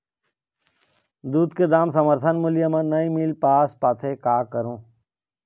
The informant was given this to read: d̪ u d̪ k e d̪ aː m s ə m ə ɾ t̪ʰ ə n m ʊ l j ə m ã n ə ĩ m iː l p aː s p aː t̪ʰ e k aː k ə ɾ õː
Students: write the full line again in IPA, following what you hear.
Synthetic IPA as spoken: d̪ uː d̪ k e d̪ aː m s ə m ə ɾ t̪ʰ ə n m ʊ l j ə m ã n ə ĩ m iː l p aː s p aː t̪ʰ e k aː k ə ɾ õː